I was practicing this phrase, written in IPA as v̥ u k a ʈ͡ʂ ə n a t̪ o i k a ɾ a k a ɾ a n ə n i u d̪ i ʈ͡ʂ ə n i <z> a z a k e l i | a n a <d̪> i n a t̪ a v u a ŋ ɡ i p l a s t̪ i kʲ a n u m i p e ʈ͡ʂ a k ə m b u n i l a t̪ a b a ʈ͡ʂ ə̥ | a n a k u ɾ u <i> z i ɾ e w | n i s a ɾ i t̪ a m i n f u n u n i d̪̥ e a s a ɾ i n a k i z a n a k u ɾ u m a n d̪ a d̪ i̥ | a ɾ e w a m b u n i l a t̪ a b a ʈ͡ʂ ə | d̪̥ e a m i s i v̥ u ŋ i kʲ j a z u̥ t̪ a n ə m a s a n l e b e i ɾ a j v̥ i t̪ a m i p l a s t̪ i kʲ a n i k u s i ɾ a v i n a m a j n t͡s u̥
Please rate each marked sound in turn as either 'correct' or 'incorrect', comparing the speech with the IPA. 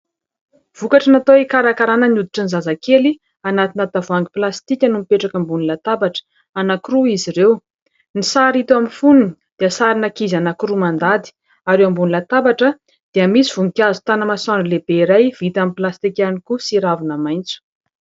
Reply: correct, incorrect: t̪, correct

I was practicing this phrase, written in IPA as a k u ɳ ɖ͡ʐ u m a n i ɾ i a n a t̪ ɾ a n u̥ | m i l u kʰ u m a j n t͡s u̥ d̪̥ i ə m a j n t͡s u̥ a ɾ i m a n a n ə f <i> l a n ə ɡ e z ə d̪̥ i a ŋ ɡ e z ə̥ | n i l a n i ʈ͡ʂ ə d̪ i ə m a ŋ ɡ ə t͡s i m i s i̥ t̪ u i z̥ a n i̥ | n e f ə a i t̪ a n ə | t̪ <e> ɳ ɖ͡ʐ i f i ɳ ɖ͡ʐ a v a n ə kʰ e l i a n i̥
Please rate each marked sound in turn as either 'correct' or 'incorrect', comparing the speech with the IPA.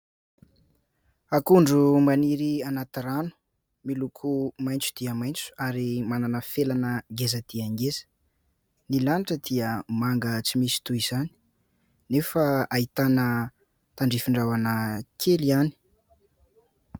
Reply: incorrect: e, incorrect: a

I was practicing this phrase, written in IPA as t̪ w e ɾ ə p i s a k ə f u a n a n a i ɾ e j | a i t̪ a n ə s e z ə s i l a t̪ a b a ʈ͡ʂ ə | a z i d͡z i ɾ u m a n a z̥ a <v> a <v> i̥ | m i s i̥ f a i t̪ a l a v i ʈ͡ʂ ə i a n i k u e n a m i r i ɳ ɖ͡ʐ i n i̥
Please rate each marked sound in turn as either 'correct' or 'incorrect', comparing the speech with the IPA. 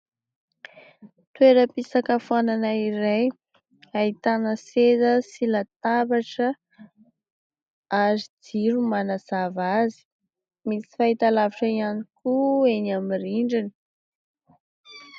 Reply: correct, incorrect: z

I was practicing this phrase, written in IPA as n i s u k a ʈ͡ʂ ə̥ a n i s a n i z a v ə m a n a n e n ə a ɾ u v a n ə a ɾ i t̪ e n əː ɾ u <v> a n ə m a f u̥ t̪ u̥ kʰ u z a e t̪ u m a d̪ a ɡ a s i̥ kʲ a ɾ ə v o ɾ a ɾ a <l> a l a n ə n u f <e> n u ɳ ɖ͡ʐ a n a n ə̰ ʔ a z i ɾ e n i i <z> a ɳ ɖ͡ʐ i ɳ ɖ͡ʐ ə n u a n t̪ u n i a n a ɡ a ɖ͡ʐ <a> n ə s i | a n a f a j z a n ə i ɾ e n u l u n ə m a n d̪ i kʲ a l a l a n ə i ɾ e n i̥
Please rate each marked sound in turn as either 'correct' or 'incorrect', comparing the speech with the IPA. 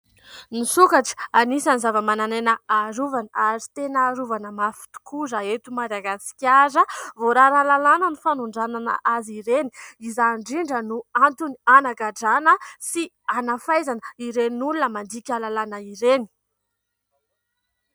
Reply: correct, correct, incorrect: a, correct, correct

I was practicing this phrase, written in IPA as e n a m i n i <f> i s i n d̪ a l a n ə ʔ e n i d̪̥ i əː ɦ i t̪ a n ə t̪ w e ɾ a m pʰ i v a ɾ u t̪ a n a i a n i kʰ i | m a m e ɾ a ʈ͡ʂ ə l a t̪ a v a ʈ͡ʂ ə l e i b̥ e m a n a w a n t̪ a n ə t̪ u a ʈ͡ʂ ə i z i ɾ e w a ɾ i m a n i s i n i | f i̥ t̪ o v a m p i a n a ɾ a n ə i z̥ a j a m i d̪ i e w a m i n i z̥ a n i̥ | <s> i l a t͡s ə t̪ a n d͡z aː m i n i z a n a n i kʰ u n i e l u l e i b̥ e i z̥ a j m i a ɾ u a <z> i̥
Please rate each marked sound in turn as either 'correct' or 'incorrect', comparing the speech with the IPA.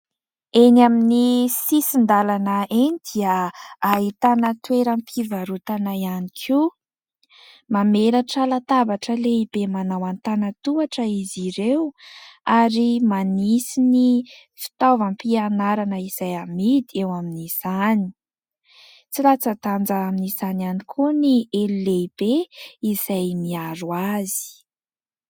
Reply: incorrect: s, incorrect: t͡s, correct

